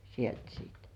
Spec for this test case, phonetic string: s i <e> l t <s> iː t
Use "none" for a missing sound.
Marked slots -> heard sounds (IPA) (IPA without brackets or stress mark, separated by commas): e, s